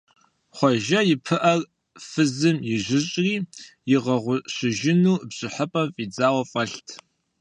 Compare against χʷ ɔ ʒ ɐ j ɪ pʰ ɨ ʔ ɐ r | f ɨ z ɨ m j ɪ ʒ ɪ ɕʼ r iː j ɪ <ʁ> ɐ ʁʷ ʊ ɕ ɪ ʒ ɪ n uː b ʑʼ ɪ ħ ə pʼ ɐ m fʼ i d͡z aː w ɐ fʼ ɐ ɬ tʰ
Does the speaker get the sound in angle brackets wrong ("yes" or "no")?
no